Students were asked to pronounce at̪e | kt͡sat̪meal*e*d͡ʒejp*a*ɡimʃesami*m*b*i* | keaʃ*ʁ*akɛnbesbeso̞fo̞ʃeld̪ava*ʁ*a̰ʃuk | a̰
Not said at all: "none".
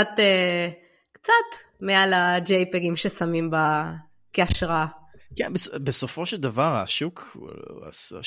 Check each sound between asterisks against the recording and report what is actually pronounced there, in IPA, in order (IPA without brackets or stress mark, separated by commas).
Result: a, e, m, a, ʁ, ʁ